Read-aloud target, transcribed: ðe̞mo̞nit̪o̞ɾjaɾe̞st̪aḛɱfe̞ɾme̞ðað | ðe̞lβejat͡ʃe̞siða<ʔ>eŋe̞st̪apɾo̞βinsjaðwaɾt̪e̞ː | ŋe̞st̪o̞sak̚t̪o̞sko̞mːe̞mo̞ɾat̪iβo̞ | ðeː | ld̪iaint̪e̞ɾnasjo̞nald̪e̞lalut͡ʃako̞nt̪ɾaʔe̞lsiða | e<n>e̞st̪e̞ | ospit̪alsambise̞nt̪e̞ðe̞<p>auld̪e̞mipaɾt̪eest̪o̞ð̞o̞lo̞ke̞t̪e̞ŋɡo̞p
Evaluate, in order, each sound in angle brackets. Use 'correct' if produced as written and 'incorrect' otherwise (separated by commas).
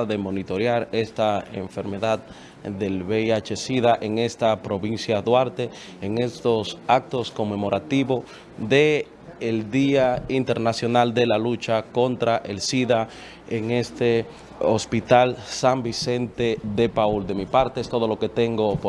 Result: correct, incorrect, correct